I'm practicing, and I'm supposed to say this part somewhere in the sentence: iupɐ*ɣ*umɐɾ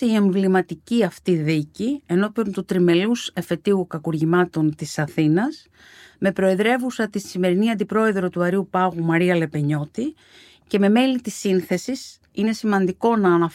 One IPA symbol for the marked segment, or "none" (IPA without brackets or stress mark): ɣ